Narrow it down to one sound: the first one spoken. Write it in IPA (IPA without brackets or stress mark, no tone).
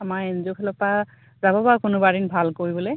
a